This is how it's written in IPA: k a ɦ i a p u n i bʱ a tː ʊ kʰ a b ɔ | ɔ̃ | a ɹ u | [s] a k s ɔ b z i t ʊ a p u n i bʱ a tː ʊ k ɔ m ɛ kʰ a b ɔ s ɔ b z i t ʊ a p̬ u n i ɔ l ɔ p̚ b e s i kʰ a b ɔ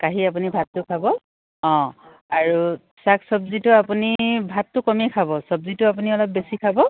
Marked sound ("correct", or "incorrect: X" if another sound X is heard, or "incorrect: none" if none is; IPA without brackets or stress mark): correct